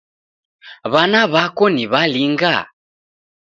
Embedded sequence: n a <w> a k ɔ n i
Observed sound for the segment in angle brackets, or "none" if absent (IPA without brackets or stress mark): β